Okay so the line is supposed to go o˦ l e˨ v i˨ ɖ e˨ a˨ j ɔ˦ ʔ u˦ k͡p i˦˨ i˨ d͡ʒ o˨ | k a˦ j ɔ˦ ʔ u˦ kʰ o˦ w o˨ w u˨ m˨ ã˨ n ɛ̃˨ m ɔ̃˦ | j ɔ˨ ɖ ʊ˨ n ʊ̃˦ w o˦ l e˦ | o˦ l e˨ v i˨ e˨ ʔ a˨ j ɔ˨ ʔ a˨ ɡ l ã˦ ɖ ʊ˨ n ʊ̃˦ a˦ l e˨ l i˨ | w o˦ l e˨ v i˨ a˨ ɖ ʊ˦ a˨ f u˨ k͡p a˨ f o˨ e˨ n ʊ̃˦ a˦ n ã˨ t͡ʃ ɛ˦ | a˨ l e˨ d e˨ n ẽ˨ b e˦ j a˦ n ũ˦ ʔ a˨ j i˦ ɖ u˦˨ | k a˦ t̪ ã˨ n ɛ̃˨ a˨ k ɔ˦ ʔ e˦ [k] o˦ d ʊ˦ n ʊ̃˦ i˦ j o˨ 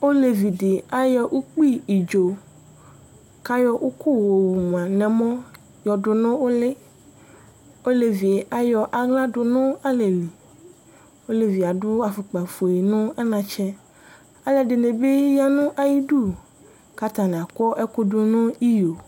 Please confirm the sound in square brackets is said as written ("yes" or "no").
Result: yes